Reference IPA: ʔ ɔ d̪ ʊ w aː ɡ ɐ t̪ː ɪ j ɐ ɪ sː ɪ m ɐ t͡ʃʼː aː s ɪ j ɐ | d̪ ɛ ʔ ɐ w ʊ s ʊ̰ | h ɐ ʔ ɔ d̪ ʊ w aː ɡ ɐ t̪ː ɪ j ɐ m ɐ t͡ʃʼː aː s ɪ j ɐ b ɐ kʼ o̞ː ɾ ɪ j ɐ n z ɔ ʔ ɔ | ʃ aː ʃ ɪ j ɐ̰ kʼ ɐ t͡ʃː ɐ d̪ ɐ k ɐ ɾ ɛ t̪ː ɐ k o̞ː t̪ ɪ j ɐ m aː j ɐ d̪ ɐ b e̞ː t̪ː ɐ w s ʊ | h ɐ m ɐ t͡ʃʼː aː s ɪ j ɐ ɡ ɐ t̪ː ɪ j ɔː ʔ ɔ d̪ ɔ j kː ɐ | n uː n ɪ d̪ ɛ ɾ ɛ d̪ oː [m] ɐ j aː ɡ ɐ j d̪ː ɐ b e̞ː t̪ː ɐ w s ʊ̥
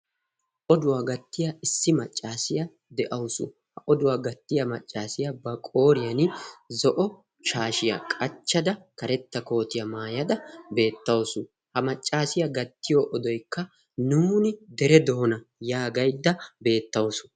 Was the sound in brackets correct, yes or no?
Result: no